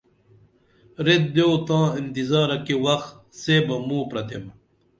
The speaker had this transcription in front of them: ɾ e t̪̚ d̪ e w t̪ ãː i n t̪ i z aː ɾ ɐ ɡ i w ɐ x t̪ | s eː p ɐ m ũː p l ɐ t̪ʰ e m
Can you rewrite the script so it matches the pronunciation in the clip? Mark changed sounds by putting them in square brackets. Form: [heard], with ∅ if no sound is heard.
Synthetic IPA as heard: ɾ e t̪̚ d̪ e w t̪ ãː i n t̪ i z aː ɾ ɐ [k] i w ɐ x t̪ | s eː [b] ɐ m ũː p [ɾ] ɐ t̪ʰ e m